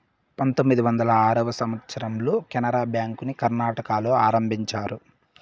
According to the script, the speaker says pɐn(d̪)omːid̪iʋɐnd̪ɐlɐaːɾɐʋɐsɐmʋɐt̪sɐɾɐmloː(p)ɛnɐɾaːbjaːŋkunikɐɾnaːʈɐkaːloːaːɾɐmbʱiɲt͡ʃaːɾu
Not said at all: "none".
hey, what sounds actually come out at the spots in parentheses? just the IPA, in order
t̪, k

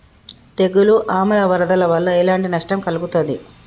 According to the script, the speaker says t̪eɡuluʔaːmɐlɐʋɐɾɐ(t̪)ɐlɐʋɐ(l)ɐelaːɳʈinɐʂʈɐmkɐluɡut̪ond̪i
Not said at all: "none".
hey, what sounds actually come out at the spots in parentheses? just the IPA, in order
d̪, lː

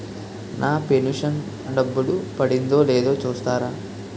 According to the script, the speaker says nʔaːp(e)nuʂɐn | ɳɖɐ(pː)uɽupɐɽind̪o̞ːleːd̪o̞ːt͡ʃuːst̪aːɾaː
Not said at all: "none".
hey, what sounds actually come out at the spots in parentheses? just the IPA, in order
e, bː

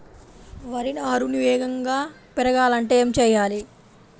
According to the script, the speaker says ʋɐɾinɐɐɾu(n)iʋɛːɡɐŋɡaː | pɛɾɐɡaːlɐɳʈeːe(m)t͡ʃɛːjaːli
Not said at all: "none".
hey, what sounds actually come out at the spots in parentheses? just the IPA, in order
n, m

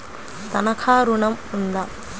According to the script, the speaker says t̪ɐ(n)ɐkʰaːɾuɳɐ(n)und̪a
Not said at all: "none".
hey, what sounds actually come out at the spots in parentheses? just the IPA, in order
n, m

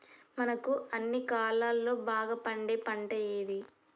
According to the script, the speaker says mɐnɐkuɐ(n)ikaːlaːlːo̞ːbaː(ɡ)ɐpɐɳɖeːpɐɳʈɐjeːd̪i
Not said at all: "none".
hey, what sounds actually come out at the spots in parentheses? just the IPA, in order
nː, ɡ

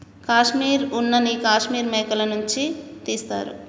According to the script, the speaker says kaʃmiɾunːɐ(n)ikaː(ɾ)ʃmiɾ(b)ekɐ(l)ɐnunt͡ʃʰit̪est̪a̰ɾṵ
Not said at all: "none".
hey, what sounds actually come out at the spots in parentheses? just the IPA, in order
n, none, m, l

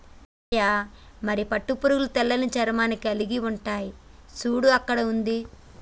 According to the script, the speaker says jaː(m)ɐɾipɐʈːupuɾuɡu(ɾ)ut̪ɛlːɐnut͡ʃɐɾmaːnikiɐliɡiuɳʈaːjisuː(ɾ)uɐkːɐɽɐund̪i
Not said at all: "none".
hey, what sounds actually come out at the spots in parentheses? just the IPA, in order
m, l, ɽ

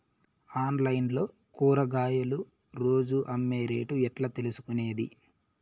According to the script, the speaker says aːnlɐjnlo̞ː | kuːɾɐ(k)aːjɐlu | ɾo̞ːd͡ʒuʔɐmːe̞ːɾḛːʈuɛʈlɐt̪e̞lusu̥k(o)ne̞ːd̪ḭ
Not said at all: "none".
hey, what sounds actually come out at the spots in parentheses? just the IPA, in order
ɡ, u

